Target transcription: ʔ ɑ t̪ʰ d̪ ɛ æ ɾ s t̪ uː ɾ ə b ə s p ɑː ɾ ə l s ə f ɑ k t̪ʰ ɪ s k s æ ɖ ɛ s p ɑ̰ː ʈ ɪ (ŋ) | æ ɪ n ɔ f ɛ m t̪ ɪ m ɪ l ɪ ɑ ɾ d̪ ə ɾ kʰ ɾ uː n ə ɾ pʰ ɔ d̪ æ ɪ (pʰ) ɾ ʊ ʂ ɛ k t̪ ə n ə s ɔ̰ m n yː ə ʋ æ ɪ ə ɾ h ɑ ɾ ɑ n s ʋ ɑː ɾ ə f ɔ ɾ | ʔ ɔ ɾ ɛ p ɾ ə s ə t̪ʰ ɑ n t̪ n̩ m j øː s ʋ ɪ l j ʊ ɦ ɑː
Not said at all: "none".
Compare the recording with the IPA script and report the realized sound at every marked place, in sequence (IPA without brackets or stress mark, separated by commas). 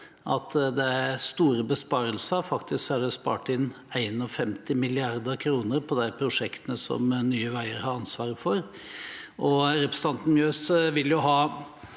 n, pʰ